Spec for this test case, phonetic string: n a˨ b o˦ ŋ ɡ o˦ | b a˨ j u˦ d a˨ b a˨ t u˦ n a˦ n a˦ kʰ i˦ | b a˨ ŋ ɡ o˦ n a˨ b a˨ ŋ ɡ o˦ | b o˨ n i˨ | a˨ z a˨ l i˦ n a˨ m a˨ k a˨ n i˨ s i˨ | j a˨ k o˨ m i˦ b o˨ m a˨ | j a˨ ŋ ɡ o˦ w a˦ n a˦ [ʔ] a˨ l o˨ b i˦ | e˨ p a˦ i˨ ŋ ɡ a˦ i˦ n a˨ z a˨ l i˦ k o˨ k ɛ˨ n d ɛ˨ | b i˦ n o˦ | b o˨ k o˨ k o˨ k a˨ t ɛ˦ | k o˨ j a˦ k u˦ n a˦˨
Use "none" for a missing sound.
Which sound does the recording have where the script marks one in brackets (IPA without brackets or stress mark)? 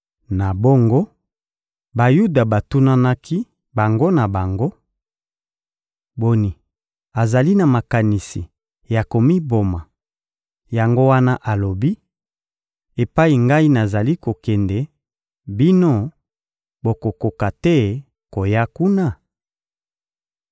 ʔ